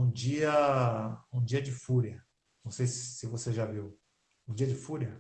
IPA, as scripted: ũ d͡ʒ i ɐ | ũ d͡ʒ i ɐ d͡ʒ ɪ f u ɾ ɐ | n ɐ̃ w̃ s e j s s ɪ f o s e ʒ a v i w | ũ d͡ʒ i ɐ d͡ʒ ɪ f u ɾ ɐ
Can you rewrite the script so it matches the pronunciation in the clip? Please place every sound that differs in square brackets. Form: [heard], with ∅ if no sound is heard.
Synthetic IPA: ũ d͡ʒ i ɐ | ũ d͡ʒ i ɐ d͡ʒ ɪ f u ɾ ɐ | n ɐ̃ w̃ s e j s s ɪ [v] o s e ʒ a v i w | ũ d͡ʒ i ɐ d͡ʒ ɪ f u ɾ ɐ